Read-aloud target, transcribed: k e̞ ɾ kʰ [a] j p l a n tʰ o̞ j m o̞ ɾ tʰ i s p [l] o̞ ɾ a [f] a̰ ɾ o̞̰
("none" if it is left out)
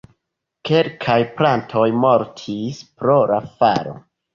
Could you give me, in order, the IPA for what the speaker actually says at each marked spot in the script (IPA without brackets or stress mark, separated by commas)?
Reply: a, ɾ, f